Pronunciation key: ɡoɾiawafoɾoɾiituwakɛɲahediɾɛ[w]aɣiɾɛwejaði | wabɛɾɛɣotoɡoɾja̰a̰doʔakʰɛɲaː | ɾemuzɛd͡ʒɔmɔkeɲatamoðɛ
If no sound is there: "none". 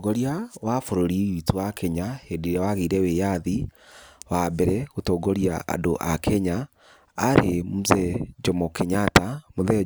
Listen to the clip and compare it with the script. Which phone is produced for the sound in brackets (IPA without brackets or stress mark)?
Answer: w